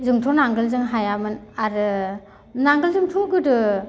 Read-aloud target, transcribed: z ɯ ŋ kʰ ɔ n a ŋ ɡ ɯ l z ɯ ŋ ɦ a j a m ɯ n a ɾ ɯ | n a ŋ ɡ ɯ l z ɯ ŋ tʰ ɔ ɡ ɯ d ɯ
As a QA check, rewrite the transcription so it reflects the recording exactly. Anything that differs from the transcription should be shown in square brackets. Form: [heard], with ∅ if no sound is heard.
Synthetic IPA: z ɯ ŋ [tʰ] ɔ n a ŋ ɡ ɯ l z ɯ ŋ ɦ a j a m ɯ n a ɾ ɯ | n a ŋ ɡ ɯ l z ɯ ŋ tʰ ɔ ɡ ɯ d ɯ